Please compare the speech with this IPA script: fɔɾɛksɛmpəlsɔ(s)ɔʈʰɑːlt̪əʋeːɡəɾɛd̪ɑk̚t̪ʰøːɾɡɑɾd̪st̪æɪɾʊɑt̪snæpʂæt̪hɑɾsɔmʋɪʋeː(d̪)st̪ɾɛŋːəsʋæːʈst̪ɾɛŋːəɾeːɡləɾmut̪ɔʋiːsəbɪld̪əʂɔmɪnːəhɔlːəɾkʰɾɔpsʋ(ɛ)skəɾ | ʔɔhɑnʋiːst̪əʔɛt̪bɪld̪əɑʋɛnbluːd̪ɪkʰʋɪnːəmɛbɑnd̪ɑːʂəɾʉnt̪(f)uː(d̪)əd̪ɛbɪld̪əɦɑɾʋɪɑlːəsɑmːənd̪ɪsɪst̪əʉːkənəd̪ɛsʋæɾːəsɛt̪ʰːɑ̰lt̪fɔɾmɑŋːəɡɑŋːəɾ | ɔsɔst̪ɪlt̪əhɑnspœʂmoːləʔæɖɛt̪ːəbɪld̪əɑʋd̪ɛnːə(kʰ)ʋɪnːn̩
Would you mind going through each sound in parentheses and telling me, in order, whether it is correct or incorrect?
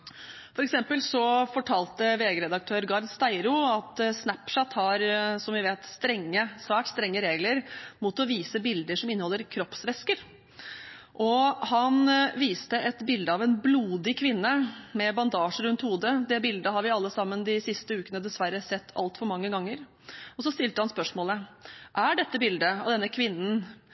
incorrect, incorrect, correct, incorrect, correct, correct

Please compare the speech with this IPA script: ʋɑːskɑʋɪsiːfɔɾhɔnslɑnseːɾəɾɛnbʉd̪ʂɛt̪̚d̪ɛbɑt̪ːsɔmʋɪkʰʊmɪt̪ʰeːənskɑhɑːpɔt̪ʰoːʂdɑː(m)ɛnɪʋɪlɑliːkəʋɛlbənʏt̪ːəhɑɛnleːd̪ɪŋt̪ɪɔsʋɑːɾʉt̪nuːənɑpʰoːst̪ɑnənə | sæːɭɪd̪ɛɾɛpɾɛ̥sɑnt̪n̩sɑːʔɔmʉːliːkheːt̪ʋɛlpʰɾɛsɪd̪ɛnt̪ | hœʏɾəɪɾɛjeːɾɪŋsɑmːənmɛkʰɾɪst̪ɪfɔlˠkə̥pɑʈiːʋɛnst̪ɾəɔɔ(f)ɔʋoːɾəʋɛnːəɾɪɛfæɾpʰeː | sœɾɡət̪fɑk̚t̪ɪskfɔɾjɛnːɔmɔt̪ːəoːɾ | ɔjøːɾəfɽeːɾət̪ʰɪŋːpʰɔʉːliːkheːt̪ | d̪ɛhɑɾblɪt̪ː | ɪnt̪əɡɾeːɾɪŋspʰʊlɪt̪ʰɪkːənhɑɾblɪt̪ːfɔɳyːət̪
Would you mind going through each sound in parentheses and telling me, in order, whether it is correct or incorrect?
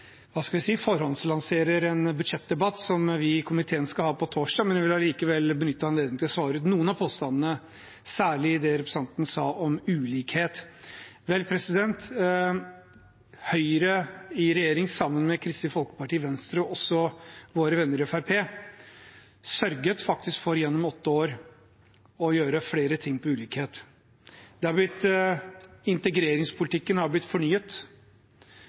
correct, incorrect

